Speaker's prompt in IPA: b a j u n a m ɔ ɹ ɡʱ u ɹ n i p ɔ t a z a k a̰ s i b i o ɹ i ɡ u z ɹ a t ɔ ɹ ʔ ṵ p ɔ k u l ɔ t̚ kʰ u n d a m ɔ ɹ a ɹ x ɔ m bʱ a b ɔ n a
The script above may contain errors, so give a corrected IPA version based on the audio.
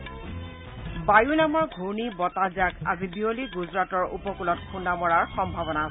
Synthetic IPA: b a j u n a m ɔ ɹ ɡʱ u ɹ n i b ɔ t a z a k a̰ z i b i o l i ɡ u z ɹ a t ɔ ɹ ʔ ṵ p ɔ k u l ɔ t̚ kʰ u n d a m ɔ ɹ a ɹ x ɔ m bʱ a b ɔ n a